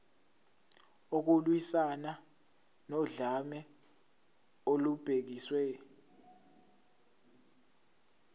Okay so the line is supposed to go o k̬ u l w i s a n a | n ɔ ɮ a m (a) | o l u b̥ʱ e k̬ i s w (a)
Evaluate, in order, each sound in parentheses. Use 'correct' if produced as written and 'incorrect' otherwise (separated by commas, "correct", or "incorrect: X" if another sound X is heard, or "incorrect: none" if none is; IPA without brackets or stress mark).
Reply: incorrect: ɛ, incorrect: ɛ